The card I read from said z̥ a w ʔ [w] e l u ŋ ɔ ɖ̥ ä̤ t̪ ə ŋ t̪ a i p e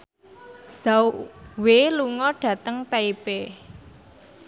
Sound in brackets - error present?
no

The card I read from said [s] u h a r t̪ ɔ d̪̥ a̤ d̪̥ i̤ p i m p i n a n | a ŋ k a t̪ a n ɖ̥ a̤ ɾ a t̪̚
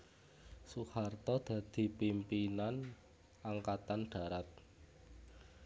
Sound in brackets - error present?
no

